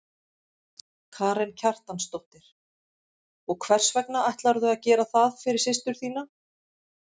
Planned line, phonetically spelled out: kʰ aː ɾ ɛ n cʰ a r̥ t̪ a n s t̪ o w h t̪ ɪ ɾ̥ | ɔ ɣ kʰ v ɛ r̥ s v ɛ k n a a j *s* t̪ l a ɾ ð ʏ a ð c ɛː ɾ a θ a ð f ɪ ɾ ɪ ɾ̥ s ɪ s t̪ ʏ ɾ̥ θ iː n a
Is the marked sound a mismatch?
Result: yes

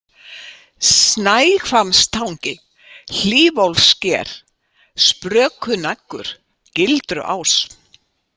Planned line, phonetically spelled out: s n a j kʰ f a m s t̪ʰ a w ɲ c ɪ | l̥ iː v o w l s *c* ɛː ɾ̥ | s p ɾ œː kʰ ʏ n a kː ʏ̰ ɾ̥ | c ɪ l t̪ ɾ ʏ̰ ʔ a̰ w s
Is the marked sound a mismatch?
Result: no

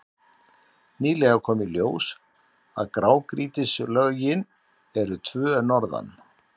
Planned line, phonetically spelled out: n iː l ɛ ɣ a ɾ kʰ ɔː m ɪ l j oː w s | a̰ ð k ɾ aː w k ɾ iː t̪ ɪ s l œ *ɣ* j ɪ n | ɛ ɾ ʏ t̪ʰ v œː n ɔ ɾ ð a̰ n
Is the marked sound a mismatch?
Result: no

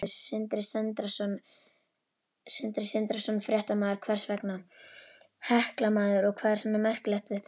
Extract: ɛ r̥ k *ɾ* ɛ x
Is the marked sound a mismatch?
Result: yes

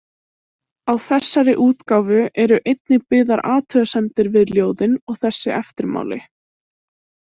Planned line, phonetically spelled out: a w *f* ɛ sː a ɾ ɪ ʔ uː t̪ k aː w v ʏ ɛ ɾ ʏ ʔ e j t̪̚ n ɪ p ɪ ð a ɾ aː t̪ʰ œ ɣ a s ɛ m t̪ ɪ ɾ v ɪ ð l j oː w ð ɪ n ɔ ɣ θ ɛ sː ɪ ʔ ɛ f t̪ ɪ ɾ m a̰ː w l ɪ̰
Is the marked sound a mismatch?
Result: yes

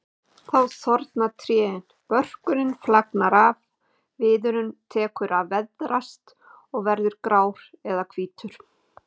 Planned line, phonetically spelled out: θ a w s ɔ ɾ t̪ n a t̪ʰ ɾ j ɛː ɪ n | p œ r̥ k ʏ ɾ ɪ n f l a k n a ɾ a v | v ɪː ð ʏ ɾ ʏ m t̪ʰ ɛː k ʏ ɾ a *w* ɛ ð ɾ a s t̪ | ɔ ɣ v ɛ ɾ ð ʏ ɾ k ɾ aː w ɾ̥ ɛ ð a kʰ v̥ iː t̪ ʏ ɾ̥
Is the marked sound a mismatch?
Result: yes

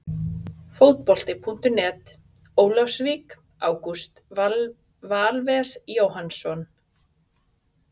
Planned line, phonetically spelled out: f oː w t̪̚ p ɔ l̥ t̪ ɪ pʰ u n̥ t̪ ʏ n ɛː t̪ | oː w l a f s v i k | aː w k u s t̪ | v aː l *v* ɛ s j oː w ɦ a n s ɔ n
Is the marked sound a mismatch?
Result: no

